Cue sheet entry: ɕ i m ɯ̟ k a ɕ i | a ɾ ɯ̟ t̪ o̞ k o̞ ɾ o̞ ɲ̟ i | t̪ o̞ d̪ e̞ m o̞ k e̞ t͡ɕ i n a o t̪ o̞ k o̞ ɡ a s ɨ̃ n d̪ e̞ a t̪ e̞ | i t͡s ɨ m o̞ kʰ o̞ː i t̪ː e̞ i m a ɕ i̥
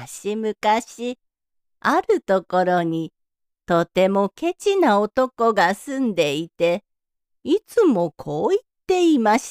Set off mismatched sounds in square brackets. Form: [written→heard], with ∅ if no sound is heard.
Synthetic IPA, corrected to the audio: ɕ i m ɯ̟ k a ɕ i | a ɾ ɯ̟ t̪ o̞ k o̞ ɾ o̞ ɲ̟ i | t̪ o̞ [d̪→t̪] e̞ m o̞ k e̞ t͡ɕ i n a o t̪ o̞ k o̞ ɡ a s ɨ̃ n d̪ e̞ [a→i] t̪ e̞ | i t͡s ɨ m o̞ kʰ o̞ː i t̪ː e̞ i m a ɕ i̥